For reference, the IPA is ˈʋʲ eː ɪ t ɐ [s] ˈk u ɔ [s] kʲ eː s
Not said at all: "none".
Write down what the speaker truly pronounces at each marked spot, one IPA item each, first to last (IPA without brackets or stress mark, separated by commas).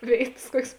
s, none